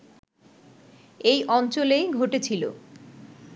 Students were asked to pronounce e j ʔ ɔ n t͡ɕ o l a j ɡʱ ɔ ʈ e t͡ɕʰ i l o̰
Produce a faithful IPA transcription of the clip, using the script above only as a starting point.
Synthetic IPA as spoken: e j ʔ ɔ n t͡ɕ o l e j ɡʱ o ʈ e t͡ɕʰ i l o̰